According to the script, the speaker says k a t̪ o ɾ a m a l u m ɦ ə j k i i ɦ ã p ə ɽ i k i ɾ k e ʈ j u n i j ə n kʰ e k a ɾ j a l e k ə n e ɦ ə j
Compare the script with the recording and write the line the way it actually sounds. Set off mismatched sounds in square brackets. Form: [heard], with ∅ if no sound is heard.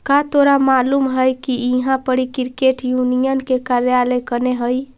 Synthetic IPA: k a t̪ o ɾ a m a l u m ɦ ə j k i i ɦ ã p ə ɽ i k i ɾ k e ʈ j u n i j ə n [k] e k a ɾ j a l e k ə n e ɦ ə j